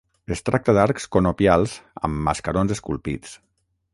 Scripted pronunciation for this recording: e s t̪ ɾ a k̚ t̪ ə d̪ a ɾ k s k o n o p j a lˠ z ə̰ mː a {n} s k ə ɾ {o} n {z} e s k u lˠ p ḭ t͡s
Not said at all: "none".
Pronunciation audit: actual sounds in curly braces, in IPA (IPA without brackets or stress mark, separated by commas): none, o, z